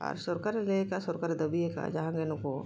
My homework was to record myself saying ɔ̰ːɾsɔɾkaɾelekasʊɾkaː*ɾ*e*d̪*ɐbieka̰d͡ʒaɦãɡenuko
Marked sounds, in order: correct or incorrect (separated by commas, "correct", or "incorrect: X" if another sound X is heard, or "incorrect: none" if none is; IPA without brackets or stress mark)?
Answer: correct, correct